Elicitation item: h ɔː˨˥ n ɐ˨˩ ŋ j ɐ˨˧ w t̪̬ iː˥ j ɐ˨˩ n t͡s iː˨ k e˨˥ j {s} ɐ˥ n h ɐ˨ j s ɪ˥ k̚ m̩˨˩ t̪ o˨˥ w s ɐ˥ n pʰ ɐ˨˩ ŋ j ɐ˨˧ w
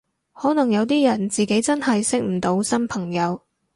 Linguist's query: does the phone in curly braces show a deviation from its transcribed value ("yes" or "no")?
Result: yes